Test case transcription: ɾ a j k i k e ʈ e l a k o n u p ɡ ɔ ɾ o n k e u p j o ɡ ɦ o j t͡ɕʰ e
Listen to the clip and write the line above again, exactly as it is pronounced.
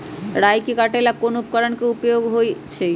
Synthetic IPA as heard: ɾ a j k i k a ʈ e l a k o n u p k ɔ ɾ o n k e u p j o ɡ ɦ o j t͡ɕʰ e